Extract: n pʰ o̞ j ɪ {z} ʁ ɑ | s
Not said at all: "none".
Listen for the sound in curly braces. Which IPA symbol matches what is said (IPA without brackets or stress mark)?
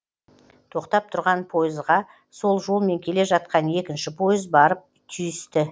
z